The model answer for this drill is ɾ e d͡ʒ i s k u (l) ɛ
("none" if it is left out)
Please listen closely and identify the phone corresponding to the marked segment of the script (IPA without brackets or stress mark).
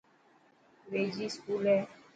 l